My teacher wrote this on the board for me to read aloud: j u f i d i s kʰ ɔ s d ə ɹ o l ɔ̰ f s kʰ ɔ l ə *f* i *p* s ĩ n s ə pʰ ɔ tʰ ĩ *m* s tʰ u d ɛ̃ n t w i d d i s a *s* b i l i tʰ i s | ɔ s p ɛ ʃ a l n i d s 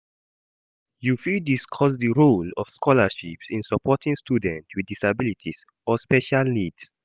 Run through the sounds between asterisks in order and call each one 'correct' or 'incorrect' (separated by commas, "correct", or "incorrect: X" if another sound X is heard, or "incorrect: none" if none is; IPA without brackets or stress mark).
incorrect: ʃ, correct, incorrect: ŋ, incorrect: none